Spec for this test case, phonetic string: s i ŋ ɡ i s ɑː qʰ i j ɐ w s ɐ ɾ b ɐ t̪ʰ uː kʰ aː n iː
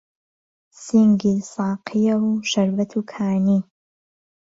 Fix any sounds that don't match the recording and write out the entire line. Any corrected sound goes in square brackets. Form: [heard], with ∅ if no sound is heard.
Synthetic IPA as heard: s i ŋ ɡ i s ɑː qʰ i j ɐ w [ʃ] ɐ ɾ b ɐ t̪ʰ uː kʰ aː n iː